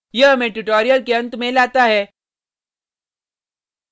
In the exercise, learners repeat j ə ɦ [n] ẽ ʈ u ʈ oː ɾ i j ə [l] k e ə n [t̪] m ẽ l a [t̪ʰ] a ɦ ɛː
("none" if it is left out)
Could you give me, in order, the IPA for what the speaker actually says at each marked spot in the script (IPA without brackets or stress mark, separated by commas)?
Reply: m, l, t̪, t̪